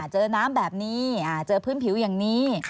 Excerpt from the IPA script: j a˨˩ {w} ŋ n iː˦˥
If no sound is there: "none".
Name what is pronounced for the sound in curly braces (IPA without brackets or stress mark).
none